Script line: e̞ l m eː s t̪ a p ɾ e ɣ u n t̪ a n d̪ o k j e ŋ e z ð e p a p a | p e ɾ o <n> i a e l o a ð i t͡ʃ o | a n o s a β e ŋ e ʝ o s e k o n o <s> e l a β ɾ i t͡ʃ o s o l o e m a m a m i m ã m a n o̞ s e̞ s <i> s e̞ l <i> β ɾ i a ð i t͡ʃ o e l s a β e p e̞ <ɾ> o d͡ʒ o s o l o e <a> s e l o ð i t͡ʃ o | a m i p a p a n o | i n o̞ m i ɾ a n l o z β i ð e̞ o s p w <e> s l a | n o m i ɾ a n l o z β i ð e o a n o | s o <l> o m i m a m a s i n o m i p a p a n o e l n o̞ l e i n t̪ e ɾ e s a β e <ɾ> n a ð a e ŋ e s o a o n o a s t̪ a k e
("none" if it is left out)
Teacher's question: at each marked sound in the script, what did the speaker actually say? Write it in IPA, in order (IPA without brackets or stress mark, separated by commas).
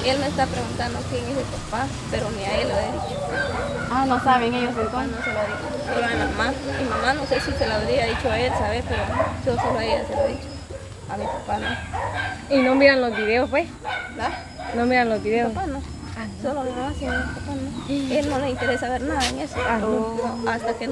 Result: n, s, i, a, ɾ, a, e, l, ɾ